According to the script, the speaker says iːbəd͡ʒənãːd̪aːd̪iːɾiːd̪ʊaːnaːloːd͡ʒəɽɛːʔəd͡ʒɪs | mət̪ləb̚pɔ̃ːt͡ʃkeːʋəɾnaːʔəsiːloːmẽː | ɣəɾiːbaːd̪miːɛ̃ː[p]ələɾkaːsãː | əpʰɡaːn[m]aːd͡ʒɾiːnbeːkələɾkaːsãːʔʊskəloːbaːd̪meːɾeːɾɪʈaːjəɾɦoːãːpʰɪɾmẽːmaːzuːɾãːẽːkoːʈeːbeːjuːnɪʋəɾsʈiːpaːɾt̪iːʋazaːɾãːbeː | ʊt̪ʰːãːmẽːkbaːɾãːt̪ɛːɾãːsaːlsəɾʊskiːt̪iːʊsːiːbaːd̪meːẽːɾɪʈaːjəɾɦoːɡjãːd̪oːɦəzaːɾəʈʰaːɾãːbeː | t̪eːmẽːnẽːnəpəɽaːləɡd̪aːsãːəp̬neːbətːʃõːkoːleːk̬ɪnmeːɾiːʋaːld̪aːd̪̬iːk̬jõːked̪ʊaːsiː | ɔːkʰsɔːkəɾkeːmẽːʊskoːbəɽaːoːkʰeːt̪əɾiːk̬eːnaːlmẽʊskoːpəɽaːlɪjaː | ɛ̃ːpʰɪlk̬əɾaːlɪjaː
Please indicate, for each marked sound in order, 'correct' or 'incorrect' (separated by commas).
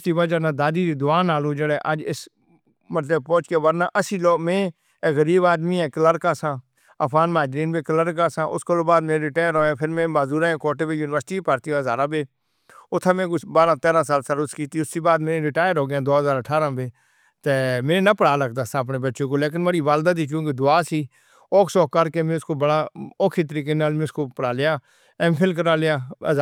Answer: incorrect, correct